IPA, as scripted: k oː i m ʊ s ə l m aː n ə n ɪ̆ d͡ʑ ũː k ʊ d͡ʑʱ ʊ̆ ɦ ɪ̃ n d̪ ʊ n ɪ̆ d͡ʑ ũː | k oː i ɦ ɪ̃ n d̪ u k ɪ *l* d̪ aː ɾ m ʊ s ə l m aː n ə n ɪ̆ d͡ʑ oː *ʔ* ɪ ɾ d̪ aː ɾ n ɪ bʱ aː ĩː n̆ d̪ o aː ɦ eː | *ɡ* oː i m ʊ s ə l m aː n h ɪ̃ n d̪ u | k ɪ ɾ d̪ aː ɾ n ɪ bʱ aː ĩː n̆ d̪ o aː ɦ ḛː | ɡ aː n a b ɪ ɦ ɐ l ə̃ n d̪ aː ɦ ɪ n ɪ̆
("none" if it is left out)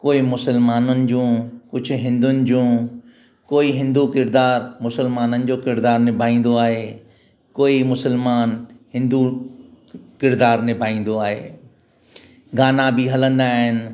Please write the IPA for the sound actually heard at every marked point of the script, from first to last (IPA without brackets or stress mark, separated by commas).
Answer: ɾ, k, k